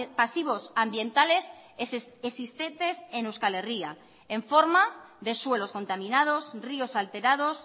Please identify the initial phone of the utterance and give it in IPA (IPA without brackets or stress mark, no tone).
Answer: p